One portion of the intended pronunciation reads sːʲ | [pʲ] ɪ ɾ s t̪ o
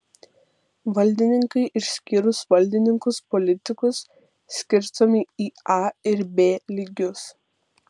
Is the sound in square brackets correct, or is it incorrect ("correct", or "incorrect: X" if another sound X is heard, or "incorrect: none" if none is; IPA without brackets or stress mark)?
incorrect: kʲ